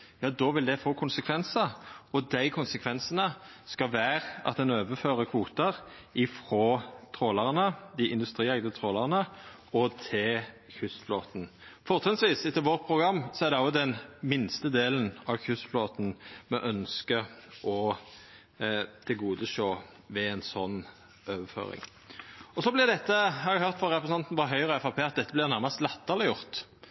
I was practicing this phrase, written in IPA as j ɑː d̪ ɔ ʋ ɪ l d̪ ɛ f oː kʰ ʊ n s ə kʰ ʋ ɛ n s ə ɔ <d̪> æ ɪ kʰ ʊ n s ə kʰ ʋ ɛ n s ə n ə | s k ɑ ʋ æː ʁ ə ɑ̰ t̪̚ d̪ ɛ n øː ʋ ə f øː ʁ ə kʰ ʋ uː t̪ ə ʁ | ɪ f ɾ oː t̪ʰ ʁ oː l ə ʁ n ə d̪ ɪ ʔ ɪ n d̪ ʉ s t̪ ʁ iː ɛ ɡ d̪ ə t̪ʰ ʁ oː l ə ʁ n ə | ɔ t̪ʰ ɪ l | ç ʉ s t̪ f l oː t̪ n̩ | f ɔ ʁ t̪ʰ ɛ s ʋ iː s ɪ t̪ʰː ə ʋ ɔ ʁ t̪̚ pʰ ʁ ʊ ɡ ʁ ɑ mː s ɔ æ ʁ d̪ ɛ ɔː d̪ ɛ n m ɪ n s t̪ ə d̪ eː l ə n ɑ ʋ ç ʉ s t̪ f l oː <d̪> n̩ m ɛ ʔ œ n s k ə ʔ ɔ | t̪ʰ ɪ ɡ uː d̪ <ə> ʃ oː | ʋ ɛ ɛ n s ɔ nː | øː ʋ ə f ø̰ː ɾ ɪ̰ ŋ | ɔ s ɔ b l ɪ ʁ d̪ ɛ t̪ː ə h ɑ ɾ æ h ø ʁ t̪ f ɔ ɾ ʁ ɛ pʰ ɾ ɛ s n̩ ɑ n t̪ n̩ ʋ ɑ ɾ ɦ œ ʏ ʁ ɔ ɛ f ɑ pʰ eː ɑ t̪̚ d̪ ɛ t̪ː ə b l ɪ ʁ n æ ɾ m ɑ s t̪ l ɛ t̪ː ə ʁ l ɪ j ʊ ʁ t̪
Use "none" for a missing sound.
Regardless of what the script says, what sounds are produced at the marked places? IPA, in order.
d̪, t̪, ə

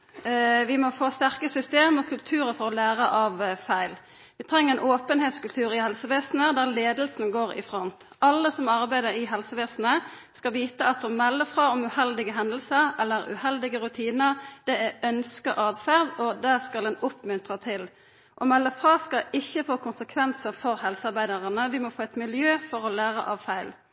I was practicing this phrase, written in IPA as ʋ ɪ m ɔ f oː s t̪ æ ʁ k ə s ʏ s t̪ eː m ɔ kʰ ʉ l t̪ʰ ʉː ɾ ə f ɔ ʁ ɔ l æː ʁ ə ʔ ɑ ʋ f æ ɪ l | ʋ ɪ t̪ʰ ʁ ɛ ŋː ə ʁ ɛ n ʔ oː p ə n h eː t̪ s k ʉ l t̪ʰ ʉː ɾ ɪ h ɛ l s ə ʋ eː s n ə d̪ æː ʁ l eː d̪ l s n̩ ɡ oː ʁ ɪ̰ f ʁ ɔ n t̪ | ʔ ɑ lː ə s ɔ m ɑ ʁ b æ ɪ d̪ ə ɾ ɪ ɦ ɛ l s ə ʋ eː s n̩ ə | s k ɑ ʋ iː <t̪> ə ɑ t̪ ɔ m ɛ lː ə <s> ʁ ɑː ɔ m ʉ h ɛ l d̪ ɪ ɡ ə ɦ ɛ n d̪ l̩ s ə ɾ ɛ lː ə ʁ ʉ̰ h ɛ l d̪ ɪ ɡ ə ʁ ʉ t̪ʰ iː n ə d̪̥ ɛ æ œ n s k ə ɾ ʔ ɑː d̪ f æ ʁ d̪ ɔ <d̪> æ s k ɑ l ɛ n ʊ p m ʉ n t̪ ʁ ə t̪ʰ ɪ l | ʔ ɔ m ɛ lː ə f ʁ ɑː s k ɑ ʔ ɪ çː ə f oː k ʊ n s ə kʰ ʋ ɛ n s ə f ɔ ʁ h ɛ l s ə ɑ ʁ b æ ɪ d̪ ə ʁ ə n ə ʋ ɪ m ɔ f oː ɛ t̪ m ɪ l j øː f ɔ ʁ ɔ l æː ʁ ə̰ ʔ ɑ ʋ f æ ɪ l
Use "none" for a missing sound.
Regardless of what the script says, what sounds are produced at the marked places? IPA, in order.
t̪, f, d̪

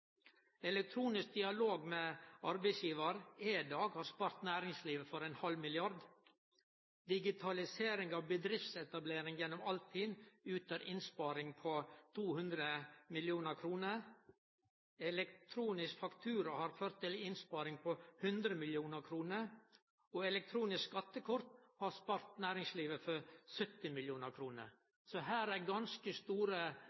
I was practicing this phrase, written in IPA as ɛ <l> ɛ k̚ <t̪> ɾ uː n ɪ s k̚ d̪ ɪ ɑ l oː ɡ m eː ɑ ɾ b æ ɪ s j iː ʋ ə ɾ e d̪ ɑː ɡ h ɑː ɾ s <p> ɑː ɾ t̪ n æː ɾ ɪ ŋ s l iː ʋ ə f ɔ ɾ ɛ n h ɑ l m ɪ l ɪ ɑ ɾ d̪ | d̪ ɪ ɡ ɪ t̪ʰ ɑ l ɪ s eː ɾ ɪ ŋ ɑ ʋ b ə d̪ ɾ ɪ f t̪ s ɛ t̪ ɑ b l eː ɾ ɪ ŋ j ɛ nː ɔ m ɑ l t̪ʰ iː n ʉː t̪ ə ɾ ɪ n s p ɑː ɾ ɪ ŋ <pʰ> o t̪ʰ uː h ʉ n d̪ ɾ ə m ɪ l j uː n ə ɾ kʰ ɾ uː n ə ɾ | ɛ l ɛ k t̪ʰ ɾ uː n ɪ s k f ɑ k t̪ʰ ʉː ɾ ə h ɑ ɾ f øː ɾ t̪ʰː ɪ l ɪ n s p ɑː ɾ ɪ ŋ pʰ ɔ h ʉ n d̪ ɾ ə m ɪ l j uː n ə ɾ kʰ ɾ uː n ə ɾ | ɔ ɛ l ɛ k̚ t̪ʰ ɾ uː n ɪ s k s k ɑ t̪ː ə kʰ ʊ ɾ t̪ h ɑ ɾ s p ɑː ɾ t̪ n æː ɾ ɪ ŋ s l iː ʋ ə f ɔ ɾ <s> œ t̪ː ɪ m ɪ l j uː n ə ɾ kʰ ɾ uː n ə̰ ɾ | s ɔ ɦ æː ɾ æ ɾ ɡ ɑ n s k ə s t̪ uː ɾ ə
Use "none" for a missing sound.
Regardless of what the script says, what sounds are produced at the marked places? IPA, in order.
l, t̪ʰ, p, pʰ, s

